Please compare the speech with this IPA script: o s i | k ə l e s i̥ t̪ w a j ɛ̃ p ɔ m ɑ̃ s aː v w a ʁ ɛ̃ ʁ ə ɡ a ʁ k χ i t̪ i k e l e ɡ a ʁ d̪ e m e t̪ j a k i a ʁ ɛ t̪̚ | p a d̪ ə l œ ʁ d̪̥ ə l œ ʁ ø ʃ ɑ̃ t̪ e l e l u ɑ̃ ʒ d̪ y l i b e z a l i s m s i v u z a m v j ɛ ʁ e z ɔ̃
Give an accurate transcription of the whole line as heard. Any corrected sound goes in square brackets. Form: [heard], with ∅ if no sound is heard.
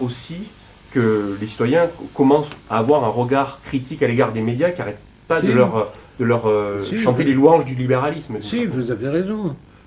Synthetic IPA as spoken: o s i | k ə l e s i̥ t̪ w a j ɛ̃ [k] ɔ m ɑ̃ s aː v w a ʁ ɛ̃ ʁ ə ɡ a ʁ k χ i t̪ i k [a] l e ɡ a ʁ d̪ e m e [d̪] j a k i a ʁ ɛ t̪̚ | p a d̪ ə l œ ʁ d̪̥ ə l œ ʁ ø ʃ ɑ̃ t̪ e l e l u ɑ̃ ʒ d̪ y l i b e [ʁ] a l i s m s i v u z a [∅] v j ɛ ʁ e z ɔ̃